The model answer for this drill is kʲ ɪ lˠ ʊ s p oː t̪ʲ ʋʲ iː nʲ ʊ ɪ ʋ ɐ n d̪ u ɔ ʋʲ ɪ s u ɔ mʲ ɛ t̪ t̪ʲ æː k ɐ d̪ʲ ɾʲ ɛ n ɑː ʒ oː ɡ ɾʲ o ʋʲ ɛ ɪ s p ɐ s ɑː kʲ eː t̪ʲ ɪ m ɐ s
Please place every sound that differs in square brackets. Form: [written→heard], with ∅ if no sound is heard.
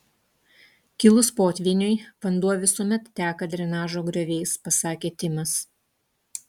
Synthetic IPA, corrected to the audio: kʲ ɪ lˠ ʊ s p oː t̪ʲ ʋʲ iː nʲ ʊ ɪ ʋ ɐ n d̪ u ɔ ʋʲ ɪ s u ɔ mʲ ɛ t̪ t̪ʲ æː k ɐ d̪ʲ ɾʲ ɛ n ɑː ʒ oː ɡ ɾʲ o ʋʲ ɛ ɪ s p ɐ s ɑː kʲ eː t̪ʲ ɪ m ɐ s